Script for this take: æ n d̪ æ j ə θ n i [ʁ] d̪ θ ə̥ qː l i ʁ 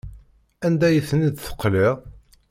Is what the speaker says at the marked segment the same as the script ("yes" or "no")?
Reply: no